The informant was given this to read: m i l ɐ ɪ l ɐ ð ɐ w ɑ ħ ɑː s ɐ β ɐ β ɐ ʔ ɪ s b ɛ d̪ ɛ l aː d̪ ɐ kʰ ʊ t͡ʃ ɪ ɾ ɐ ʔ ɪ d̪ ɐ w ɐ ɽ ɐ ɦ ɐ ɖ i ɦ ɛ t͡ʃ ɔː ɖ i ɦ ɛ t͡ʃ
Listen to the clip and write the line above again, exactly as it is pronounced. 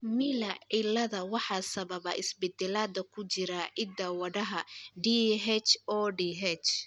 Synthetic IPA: m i l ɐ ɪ l ɐ ð ɐ w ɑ ħ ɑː s ɐ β ɐ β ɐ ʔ ɪ s b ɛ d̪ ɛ l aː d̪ ɐ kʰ ʊ t͡ʃ ɪ ɾ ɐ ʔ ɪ d̪ ɐ w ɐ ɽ ɐ ɦ ɐ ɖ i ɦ ɛ t͡ʃ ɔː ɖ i ɦ ɛ t͡ʃ